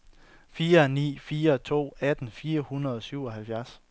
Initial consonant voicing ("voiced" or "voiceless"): voiceless